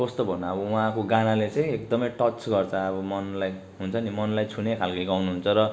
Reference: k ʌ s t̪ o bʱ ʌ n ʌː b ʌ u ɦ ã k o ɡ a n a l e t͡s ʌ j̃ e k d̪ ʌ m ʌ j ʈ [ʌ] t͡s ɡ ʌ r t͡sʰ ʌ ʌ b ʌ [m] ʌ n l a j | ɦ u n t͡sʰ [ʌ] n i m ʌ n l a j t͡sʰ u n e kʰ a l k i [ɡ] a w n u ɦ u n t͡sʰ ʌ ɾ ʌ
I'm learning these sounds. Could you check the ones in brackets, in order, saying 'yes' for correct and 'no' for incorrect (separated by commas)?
yes, yes, yes, yes